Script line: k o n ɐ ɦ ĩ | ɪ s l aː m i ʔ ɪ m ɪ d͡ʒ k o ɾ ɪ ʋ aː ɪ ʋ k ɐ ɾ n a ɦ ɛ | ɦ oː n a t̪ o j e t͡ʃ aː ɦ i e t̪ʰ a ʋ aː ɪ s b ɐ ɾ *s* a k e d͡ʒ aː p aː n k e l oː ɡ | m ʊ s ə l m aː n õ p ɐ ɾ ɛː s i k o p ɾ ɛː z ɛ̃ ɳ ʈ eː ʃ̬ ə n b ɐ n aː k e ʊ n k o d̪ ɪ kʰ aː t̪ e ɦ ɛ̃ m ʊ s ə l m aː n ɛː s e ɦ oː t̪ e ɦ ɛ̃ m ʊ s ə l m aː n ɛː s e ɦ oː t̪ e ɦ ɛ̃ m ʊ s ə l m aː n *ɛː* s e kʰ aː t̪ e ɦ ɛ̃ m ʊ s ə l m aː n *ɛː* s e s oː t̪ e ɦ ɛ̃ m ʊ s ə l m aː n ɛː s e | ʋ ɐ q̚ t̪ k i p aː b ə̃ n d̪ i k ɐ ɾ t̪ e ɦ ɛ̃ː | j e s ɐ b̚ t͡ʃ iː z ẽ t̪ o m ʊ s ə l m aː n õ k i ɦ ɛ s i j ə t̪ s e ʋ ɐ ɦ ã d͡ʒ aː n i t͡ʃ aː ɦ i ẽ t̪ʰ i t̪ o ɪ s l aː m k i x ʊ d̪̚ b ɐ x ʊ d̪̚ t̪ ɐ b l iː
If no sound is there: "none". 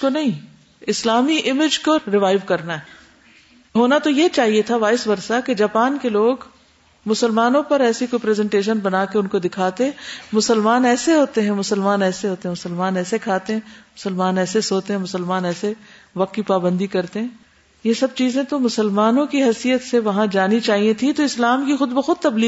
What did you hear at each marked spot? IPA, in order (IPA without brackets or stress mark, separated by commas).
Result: s, ɛː, ɛː